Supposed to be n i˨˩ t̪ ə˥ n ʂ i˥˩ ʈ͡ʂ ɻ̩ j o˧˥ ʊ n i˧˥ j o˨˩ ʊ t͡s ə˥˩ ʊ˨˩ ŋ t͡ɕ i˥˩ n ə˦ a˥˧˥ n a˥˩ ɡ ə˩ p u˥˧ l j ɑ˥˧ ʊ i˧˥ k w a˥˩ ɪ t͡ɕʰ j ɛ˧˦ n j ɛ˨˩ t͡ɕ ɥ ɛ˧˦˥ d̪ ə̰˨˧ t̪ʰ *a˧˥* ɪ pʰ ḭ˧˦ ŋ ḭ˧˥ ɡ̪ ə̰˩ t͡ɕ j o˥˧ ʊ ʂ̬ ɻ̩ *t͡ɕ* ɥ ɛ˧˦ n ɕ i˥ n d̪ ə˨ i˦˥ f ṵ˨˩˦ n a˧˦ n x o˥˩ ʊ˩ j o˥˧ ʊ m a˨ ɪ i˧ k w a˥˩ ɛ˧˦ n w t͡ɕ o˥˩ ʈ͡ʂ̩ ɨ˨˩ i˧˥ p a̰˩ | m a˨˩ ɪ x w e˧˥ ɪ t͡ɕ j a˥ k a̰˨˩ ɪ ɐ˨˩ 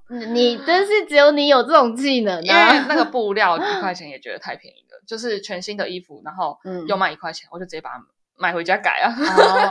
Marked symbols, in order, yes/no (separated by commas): no, no